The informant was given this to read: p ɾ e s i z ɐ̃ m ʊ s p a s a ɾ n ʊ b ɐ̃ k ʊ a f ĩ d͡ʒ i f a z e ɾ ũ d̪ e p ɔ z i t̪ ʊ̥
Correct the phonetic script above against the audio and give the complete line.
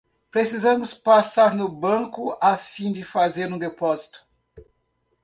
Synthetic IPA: p ɾ e s i z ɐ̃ m ʊ s p a s a ɾ n ʊ b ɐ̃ k ʊ a f ĩ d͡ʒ ɪ f a z e ɾ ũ d̪ e p ɔ z i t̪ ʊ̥